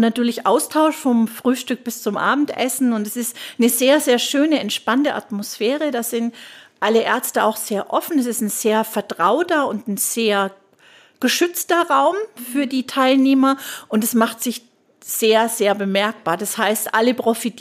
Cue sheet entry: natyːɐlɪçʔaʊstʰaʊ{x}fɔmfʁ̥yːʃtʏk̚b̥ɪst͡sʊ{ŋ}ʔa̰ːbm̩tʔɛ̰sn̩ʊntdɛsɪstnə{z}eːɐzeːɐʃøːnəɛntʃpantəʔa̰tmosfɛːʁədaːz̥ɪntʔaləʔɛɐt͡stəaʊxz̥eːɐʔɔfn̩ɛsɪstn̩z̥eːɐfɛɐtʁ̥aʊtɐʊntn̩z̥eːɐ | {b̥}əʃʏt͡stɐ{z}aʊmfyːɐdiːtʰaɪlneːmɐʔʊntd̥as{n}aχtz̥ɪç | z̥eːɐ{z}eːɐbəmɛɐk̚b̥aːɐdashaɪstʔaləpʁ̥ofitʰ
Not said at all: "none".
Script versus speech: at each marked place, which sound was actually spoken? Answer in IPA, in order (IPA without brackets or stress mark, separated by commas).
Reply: ʃ, m, z, ɡ̥, ʁ, m, z